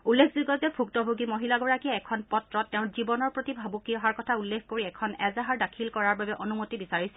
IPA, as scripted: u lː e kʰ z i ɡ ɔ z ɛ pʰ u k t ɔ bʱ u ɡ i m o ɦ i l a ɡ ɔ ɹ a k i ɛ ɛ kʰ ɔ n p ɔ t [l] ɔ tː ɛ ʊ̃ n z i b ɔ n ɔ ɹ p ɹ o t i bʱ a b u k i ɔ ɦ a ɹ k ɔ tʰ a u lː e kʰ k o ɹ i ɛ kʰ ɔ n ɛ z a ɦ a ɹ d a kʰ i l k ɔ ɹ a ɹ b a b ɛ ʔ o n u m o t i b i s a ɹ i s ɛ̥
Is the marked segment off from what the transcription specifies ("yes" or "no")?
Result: yes